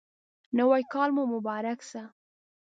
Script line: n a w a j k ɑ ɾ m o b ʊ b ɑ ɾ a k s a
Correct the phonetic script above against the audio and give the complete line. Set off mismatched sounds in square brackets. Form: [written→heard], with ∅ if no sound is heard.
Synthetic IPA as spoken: n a w a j k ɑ [ɾ→l] m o [b→m] ʊ b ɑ ɾ a k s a